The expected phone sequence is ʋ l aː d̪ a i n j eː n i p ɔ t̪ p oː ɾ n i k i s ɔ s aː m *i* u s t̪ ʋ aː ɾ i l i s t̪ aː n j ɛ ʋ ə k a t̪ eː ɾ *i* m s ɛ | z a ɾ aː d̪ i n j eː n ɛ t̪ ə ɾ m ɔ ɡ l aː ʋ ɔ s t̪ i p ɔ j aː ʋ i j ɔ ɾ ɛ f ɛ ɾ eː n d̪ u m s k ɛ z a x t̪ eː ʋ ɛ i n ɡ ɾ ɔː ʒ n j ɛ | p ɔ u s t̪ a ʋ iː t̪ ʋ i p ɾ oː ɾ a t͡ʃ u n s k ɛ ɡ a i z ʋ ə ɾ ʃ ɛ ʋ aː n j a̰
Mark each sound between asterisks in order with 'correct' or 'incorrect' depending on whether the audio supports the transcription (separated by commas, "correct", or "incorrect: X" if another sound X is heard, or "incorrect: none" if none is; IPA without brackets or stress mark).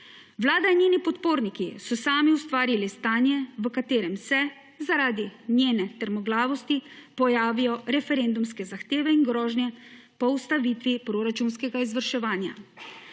correct, incorrect: ɛ